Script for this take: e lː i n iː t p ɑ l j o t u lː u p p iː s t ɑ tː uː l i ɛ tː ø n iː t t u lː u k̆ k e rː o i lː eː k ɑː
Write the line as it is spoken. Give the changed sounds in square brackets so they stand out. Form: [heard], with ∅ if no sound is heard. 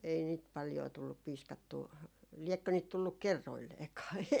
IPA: e [∅] i n iː t p ɑ l j [oː] t u lː u p p iː s [k] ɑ tː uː l i ɛ [kː] ø n iː t t u lː u k̆ k e rː o i lː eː k ɑː